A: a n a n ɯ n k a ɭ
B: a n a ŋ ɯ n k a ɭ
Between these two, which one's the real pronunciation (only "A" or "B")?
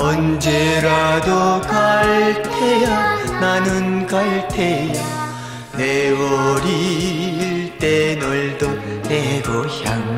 A